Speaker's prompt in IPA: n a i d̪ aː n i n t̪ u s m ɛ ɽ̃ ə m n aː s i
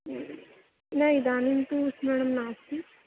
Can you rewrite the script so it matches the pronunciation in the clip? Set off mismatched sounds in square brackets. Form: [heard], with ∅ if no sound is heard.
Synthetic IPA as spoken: n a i d̪ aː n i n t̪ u s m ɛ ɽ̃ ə m n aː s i